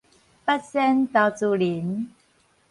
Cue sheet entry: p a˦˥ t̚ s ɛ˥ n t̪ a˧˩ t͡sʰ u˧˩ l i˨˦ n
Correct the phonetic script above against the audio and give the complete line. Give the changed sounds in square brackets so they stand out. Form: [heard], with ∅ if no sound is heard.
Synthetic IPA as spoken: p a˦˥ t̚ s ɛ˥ n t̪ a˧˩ [t͡s] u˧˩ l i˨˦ n